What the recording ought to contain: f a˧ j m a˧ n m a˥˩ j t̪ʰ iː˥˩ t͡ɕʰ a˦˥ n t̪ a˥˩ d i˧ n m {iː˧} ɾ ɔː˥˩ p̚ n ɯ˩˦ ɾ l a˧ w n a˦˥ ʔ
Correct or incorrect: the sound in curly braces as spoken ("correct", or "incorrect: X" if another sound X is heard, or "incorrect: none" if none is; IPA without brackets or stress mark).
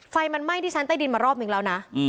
incorrect: aː˧